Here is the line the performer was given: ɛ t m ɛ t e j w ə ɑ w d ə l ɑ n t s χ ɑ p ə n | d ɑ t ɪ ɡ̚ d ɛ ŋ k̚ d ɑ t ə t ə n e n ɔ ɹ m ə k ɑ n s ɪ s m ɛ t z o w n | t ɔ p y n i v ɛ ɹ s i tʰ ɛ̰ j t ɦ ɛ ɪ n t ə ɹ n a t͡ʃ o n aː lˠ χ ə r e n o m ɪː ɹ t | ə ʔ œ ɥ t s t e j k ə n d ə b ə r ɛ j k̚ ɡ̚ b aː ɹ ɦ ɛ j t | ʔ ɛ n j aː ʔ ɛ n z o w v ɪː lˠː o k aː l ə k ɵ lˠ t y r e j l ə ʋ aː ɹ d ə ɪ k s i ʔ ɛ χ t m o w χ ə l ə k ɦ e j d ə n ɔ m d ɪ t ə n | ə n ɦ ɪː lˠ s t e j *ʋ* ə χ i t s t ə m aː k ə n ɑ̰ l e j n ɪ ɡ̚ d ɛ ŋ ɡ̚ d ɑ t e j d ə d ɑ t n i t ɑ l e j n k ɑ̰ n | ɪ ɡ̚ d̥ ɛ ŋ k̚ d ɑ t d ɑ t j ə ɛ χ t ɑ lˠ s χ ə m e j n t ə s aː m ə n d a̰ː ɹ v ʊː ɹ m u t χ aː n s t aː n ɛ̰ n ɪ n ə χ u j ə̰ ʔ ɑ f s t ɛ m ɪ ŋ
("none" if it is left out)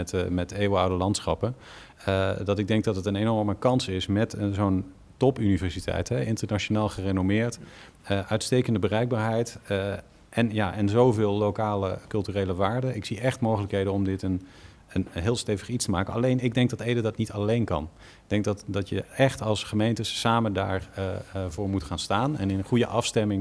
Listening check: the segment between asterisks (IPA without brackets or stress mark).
v